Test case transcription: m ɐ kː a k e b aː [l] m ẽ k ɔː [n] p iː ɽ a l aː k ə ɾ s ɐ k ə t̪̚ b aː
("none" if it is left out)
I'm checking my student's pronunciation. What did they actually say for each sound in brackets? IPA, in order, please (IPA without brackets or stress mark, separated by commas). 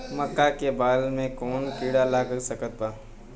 l, n